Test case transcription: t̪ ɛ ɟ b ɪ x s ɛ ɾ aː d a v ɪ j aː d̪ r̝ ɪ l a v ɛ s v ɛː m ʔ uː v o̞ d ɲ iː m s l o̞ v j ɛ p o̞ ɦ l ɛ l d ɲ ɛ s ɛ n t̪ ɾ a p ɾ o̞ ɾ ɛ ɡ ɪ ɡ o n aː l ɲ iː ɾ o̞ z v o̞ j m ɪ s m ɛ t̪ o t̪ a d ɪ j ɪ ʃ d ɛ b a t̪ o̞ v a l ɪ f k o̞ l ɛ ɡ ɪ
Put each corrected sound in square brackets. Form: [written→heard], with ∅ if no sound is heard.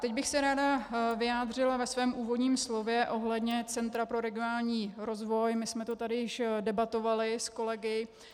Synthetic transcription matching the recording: t̪ ɛ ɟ b ɪ x s ɛ ɾ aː d a v ɪ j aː d̪ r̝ ɪ l a v ɛ s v ɛː m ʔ uː v o̞ d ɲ iː m s l o̞ v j ɛ [p→ʔ] o̞ ɦ l ɛ [l→∅] d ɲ ɛ [s→t͡s] ɛ n t̪ ɾ a p ɾ o̞ ɾ ɛ ɡ ɪ [ɡ→∅] o n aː l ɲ iː ɾ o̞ z v o̞ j m ɪ s m ɛ t̪ o t̪ a d ɪ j ɪ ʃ d ɛ b a t̪ o̞ v a l ɪ [f→s] k o̞ l ɛ ɡ ɪ